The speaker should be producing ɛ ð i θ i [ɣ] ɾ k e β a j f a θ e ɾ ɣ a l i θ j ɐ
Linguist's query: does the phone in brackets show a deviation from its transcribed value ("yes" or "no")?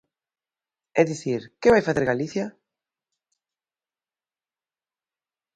yes